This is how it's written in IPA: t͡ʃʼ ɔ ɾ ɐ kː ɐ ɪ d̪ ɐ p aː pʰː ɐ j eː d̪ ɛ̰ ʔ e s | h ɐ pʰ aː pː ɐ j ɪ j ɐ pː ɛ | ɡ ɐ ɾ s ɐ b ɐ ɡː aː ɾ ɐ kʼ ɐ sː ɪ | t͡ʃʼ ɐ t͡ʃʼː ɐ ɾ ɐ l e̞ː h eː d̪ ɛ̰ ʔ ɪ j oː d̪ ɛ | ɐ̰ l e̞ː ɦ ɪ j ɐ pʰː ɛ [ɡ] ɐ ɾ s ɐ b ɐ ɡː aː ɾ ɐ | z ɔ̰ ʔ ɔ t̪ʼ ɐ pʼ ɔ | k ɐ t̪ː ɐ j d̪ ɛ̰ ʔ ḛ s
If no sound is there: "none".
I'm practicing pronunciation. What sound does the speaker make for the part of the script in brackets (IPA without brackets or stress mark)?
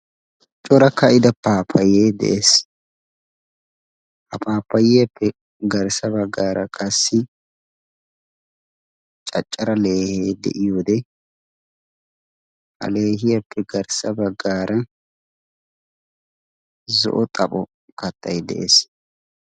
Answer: ɡ